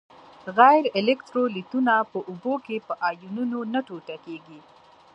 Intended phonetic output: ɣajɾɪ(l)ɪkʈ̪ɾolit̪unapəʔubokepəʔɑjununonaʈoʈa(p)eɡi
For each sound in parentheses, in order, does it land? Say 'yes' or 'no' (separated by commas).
yes, no